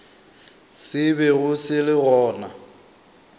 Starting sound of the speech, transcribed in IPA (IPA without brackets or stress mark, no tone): s